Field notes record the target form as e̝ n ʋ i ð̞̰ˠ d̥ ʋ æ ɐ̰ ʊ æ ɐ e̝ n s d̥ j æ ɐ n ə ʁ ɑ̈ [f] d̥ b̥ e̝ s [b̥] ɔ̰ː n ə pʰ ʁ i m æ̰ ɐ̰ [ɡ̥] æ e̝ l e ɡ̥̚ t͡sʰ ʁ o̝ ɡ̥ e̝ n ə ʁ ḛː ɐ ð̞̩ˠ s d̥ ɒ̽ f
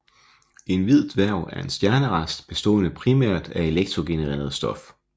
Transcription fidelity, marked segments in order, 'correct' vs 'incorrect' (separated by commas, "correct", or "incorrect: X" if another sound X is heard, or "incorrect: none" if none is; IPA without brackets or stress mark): incorrect: s, incorrect: d̥, incorrect: d̥